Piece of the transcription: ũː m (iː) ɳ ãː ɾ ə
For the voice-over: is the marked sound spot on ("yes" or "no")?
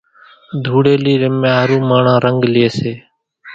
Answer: no